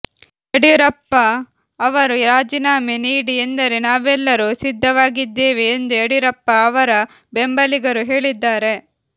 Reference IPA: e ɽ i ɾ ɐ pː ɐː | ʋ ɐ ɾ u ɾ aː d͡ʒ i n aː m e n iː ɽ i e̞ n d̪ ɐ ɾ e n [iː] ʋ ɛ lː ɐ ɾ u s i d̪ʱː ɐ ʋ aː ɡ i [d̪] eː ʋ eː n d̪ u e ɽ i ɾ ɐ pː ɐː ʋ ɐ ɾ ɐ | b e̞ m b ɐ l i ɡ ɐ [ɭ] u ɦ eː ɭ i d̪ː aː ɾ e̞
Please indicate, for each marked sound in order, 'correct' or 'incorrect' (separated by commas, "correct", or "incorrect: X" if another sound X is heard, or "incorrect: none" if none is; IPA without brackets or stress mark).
incorrect: aː, incorrect: d̪ː, incorrect: ɾ